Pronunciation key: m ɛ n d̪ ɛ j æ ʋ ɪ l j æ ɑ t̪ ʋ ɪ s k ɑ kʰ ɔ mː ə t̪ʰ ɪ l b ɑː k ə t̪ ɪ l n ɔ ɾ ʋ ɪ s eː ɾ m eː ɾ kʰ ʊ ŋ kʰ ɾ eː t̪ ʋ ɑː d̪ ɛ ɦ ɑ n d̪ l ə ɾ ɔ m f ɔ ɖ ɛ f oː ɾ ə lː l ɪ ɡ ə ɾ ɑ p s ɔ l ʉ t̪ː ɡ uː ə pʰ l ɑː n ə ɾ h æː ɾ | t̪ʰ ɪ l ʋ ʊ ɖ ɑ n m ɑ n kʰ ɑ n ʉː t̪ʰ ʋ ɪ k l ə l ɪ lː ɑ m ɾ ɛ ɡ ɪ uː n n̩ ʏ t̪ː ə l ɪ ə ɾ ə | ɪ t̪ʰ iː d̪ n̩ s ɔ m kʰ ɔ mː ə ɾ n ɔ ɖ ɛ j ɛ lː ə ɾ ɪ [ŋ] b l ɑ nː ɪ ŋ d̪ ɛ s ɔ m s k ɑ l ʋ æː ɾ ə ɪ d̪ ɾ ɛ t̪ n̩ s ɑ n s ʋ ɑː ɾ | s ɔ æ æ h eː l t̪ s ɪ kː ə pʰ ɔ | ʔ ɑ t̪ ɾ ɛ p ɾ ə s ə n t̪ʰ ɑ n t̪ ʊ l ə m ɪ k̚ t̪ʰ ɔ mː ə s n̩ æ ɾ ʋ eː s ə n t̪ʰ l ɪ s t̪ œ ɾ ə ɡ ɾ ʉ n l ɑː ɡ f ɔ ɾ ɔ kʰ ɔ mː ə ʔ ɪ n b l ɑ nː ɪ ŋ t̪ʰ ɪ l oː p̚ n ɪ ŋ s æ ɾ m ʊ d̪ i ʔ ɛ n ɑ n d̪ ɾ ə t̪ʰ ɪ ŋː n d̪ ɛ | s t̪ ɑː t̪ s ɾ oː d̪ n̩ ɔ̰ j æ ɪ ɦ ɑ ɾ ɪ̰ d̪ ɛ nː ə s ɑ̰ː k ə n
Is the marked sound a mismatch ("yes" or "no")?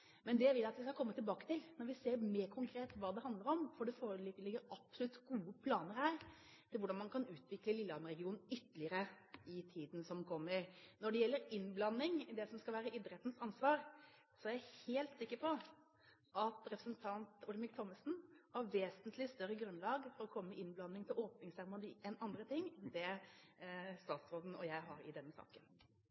yes